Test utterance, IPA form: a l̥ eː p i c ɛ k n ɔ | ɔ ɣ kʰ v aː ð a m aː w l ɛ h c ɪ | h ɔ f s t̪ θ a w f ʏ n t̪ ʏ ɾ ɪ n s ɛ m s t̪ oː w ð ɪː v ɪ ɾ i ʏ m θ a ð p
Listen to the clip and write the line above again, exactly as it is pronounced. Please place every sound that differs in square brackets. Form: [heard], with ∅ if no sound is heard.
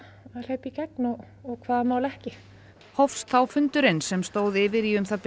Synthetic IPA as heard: a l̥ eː p i c ɛ k n ɔ | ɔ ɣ kʰ v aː ð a m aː w l ɛ h c ɪ | h ɔ f s t̪ θ a w f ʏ n t̪ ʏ ɾ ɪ n s ɛ m s t̪ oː w ð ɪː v ɪ ɾ i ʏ m θ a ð p